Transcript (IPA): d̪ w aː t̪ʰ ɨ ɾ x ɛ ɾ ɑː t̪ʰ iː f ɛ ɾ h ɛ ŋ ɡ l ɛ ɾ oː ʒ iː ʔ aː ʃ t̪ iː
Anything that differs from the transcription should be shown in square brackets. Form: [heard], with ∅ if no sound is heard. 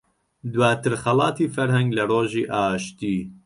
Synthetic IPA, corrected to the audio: d̪ w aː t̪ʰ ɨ ɾ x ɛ [l] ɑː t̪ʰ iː f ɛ ɾ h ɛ ŋ ɡ l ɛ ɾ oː ʒ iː ʔ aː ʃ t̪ iː